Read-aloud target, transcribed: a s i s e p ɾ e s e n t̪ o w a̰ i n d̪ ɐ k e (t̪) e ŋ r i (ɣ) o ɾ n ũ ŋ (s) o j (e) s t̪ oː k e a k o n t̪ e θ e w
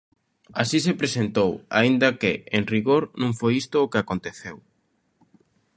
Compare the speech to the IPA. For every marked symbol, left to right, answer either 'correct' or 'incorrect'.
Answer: incorrect, correct, incorrect, incorrect

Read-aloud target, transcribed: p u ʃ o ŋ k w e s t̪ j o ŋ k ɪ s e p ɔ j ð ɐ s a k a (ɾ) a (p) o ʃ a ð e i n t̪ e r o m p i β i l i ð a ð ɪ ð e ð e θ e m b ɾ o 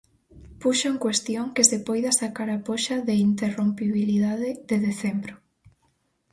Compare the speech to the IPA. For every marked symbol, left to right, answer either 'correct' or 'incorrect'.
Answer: correct, correct

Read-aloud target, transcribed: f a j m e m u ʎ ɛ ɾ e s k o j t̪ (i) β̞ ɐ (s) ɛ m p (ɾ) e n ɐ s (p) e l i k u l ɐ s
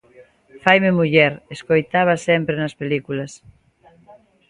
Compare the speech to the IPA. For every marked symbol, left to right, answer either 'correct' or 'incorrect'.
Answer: incorrect, correct, correct, correct

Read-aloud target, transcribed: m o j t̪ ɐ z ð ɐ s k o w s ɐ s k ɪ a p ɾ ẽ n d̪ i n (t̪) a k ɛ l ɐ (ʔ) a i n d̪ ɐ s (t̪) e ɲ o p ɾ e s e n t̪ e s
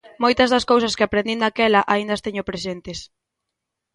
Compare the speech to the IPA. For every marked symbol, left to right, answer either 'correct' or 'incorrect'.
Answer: incorrect, correct, correct

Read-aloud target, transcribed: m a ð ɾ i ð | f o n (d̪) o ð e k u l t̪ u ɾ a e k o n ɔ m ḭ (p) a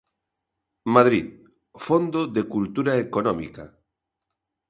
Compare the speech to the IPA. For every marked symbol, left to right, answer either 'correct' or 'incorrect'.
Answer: correct, incorrect

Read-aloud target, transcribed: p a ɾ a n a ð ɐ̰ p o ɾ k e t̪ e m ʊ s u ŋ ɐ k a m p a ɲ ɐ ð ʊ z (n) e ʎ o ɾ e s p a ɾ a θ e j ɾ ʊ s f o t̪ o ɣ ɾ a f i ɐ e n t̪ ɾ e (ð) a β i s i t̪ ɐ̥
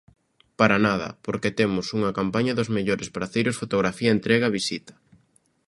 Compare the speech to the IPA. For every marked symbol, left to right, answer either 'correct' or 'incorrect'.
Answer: incorrect, incorrect

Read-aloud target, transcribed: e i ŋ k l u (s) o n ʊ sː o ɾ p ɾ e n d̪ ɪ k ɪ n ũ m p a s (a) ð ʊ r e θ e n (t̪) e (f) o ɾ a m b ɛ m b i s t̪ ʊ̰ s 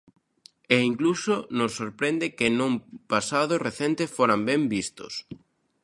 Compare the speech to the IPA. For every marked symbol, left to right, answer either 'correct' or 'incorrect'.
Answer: correct, correct, correct, correct

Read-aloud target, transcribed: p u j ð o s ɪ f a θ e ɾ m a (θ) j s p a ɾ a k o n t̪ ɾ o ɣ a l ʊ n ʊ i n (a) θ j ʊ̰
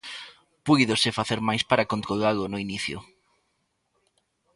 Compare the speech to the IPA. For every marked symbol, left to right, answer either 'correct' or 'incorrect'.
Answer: incorrect, incorrect

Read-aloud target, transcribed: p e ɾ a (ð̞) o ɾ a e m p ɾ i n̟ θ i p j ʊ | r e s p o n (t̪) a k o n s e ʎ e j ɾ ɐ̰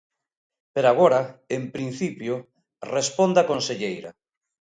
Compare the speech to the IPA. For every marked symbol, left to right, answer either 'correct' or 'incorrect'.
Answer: incorrect, incorrect

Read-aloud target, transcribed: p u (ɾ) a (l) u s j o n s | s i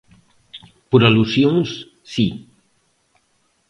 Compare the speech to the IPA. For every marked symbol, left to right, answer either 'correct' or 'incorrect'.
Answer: correct, correct

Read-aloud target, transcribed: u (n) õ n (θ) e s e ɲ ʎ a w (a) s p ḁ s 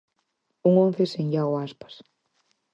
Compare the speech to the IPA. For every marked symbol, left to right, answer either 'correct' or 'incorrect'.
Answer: incorrect, correct, correct

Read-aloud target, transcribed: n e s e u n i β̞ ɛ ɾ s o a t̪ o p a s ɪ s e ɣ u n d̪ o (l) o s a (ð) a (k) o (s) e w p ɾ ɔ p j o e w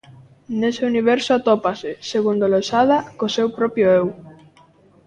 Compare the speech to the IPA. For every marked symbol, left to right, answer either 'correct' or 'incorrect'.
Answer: correct, correct, correct, correct

